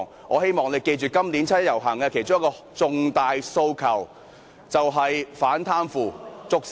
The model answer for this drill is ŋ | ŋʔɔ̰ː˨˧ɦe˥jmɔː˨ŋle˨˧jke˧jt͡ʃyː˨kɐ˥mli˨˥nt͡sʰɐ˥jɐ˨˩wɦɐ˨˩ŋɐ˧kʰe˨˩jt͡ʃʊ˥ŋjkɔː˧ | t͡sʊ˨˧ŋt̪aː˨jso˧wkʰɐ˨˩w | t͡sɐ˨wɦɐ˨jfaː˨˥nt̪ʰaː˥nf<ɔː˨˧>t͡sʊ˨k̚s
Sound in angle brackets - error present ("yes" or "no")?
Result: yes